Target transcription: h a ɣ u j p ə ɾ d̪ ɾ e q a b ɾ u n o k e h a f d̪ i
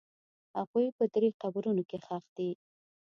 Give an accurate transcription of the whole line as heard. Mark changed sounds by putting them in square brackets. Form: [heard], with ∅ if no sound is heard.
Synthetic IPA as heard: h a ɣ u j p ə [∅] d̪ ɾ e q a b ɾ u n o k e [x] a [x] d̪ i